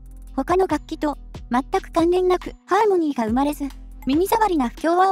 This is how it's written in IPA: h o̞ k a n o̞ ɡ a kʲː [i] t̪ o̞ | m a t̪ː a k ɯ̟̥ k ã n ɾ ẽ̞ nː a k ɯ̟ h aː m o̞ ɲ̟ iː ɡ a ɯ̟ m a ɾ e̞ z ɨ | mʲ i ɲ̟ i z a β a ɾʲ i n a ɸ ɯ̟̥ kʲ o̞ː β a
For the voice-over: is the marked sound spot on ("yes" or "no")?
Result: yes